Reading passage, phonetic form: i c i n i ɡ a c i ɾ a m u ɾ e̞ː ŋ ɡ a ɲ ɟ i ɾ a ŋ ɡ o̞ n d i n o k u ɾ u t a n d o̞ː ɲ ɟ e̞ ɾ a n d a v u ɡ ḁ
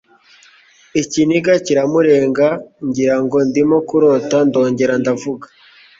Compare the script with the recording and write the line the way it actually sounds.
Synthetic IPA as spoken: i c i n i ɡ a c i ɾ a m u ɾ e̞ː ŋ ɡ a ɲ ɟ i ɾ a ŋ ɡ o̞ n d i m o k u ɾ o t a n d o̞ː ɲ ɟ e̞ ɾ a n d a v u ɡ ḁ